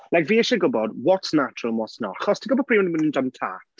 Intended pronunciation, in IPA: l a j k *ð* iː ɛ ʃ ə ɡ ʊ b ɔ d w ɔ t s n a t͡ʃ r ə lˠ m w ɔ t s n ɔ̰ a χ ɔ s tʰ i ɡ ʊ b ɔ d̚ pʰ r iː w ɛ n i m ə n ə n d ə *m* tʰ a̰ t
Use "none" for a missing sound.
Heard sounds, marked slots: v, m

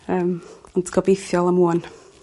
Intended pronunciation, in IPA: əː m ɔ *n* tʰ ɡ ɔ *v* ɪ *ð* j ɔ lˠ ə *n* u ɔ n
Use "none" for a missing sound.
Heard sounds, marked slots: n, b, θ, m

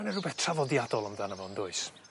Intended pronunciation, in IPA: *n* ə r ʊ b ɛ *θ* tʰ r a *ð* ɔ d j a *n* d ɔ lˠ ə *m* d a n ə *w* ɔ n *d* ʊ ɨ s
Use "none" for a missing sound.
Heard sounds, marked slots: n, θ, v, none, m, v, d

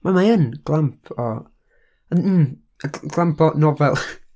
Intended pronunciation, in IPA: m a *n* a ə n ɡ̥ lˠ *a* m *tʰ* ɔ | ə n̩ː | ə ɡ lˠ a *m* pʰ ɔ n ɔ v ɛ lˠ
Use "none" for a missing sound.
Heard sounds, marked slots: m, a, pʰ, m

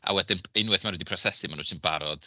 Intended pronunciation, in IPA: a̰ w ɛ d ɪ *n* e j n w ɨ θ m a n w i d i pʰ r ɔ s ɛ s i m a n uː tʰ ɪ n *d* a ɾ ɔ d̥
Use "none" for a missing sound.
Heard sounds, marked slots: n, b

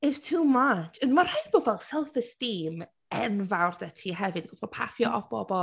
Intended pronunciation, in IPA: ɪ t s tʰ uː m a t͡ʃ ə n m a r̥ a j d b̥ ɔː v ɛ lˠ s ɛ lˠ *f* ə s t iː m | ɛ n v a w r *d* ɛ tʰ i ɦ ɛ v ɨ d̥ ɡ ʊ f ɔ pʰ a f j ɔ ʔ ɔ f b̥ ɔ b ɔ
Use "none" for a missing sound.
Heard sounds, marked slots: f, d

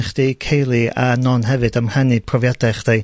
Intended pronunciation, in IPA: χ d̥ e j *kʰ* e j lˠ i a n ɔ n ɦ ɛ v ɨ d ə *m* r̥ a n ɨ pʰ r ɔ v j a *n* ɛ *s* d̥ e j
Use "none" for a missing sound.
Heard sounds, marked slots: kʰ, m, d, χ

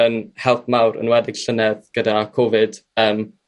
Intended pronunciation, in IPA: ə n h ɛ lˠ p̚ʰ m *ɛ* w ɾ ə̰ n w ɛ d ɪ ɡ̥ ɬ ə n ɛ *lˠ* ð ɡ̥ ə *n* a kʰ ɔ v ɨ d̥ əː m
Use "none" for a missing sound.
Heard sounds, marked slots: a, none, d

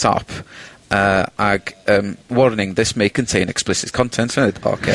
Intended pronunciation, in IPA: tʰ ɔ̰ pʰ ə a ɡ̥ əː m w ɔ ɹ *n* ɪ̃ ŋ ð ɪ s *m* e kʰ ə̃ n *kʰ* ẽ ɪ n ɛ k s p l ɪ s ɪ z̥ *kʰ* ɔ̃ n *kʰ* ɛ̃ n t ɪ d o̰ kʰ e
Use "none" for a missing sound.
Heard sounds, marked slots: n, m, tʰ, kʰ, tʰ

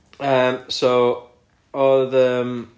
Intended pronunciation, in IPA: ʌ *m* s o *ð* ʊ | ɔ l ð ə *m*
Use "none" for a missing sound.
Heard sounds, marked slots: m, none, m

